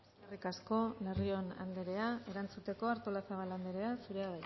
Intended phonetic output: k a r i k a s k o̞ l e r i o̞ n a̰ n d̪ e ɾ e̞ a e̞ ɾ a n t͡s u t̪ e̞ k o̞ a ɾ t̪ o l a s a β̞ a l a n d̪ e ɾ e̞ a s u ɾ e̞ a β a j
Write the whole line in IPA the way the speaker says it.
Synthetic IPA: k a r i k a s k o̞ l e r i o̞ n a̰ n d̪ e ɾ e̞ a e̞ ɾ a n t͡s u t̪ e̞ k o̞ a ɾ t̪ o l a s a β̞ a l a n d̪ e ɾ e̞ a s u ɾ e̞ a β a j